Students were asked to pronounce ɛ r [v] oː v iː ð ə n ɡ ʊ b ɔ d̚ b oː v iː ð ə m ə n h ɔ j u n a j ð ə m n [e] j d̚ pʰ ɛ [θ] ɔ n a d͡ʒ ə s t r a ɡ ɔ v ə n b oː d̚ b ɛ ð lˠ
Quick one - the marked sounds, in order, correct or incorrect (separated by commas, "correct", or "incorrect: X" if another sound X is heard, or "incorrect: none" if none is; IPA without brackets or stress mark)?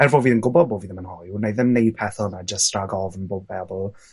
correct, correct, correct